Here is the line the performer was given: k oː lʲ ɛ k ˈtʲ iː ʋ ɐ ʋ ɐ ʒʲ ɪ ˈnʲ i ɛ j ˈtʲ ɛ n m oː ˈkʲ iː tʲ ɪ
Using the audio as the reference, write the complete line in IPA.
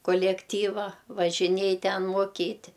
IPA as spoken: k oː lʲ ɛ k ˈtʲ iː ʋ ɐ ʋ ɐ ʒʲ ɪ ˈnʲ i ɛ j ˈtʲ ɛ n m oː ˈkʲ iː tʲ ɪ